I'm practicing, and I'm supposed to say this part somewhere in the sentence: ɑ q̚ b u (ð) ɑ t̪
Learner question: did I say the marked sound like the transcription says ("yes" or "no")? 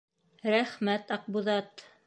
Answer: yes